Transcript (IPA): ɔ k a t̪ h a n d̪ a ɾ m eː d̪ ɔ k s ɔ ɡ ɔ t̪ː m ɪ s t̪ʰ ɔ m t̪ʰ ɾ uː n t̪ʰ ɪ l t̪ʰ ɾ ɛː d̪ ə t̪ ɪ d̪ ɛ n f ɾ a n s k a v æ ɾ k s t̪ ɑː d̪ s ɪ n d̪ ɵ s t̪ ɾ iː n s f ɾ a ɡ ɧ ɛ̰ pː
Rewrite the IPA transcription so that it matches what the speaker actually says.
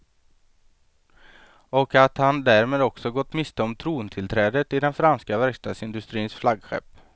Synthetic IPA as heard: ɔ k a t̪ h a n d̪ æ ɾ m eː d̪ ɔ k s ɔ ɡ ɔ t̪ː m ɪ s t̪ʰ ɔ m t̪ʰ ɾ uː n t̪ʰ ɪ l t̪ʰ ɾ ɛː d̪ ə t̪ ɪ d̪ ɛ n f ɾ a n s k a v æ ɾ k s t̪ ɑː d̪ s ɪ n d̪ ɵ s t̪ ɾ iː n s f l a ɡ ɧ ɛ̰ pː